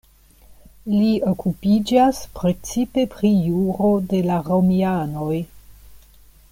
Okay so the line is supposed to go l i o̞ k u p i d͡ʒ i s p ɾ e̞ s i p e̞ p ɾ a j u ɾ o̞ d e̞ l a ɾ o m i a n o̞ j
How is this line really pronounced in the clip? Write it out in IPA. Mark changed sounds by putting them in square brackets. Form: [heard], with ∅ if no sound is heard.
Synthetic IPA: l i o̞ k u p i d͡ʒ [a] s p ɾ e̞ [t͡s] i p e̞ p ɾ [i] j u ɾ o̞ d e̞ l a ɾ o m i a n o̞ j

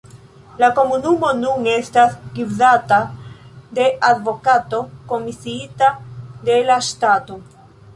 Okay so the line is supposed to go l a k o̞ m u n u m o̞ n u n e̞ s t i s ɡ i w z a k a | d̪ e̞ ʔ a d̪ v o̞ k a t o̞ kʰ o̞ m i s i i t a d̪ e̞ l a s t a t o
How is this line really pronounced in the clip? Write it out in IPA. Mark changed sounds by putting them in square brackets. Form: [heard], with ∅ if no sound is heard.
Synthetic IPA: l a k o̞ m u n u m o̞ n u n e̞ s t [a] s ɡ i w z a [t] a | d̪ e̞ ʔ a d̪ v o̞ k a t o̞ [k] o̞ m i s i i t a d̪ e̞ l a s t a t o

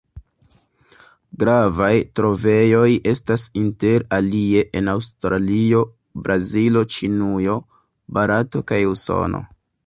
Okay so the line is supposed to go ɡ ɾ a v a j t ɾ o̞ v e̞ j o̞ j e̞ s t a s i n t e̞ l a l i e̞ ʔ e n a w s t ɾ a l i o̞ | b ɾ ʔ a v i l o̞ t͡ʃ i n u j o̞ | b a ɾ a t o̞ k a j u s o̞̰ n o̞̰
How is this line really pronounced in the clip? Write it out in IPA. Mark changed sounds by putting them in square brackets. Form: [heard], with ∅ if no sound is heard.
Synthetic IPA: ɡ ɾ a v a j t ɾ o̞ v e̞ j o̞ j e̞ s t a s i n t e̞ [ɾ] a l i e̞ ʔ e n a w s t ɾ a l i o̞ | b ɾ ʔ a [z] i l o̞ t͡ʃ i n u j o̞ | b a ɾ a t o̞ k a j u s o̞̰ n o̞̰

